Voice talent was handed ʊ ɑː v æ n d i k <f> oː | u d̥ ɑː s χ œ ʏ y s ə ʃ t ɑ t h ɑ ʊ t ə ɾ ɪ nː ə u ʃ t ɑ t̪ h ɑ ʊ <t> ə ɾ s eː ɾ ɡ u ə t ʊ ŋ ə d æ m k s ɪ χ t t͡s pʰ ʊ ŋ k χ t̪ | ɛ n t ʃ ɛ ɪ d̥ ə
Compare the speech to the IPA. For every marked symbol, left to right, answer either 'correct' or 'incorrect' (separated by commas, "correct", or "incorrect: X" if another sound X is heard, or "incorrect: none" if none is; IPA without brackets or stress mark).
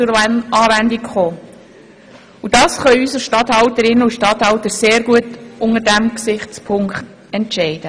incorrect: χ, correct